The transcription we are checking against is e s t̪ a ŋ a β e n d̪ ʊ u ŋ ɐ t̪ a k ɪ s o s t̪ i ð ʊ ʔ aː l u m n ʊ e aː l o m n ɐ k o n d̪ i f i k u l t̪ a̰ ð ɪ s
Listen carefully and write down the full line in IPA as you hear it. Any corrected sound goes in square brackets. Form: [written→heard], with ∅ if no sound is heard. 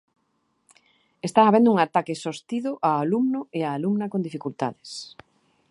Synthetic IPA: e s t̪ a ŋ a β e n d̪ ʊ u ŋ [ɐ→a] t̪ a k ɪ s o s t̪ i ð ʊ ʔ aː l u m n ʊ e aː l [o→u] m n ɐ k o n d̪ i f i k u l t̪ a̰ ð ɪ s